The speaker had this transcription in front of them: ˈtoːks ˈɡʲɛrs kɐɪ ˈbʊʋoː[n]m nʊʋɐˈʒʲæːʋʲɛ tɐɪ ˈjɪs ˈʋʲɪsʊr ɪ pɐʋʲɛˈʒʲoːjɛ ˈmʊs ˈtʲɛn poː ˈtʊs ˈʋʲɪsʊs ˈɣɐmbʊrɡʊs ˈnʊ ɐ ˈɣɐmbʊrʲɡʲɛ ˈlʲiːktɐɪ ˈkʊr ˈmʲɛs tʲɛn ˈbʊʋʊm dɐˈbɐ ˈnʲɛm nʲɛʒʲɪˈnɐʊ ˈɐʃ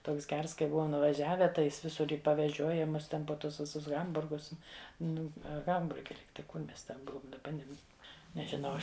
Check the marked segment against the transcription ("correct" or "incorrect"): incorrect